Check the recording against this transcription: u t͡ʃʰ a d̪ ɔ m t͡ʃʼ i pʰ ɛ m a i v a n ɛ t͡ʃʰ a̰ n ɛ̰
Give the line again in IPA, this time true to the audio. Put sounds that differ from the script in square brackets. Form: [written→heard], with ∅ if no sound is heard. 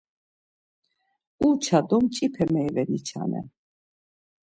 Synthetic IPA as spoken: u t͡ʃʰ a d̪ ɔ m t͡ʃʼ i pʰ ɛ m [a→ɛ] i v [a→ɛ] n [ɛ→i] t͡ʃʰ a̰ n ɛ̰

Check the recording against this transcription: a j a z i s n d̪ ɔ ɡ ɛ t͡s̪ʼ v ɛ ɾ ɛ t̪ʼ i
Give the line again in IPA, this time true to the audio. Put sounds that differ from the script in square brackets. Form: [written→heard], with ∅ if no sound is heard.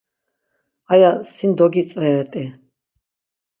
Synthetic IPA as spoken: a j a [z→s] i [s→∅] n d̪ ɔ ɡ [ɛ→i] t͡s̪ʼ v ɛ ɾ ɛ t̪ʼ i

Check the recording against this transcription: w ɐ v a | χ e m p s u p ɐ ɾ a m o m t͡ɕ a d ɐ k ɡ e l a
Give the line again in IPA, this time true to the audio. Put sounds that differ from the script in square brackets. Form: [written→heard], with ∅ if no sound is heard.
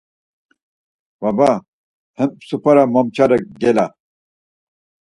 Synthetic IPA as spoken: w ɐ [v→b] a | [χ→h] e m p s u p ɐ ɾ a m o m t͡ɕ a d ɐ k ɡ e l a

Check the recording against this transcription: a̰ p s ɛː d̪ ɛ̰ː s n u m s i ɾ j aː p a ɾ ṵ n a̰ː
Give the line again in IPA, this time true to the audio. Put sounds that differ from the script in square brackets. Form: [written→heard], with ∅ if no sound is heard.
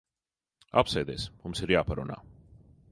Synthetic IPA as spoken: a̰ p s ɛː d̪ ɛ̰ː s [n→m] u m s i ɾ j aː p a ɾ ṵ n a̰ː

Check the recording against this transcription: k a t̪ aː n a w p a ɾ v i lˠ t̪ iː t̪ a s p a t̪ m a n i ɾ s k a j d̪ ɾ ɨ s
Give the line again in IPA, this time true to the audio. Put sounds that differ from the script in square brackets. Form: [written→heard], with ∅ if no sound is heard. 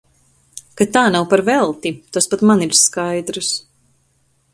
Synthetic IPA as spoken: k a t̪ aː n a w p a ɾ v [i→ɛ] lˠ t̪ [iː→i] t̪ a s p a t̪ m a n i ɾ s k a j d̪ ɾ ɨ s

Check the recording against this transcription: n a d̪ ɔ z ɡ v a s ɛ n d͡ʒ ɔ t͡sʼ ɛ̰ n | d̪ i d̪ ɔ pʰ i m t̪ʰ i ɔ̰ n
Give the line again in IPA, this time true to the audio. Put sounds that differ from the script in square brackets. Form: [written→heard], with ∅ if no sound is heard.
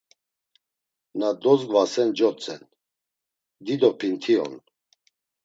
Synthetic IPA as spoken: n a d̪ ɔ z ɡ v a s ɛ n d͡ʒ ɔ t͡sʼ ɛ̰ n | d̪ i d̪ ɔ pʰ i [m→n] t̪ʰ i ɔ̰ n

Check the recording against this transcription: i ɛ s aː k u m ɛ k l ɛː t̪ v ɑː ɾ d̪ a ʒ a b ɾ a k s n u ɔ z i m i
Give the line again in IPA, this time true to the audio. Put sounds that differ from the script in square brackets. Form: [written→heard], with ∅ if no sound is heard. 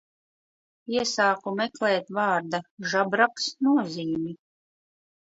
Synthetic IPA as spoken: i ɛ s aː k u m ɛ k l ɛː t̪ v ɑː ɾ d̪ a ʒ a b ɾ a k s n u ɔ z [i→iː] m i

